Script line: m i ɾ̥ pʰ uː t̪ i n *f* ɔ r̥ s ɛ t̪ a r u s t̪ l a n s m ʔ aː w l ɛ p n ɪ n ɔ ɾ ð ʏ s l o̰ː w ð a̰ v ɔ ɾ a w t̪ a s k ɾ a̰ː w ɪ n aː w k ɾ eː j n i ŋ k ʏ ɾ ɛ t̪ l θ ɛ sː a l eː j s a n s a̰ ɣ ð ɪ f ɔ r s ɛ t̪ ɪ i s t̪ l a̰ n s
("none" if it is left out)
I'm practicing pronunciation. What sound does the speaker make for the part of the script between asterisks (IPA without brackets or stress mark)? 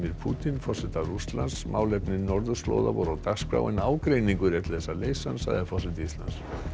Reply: f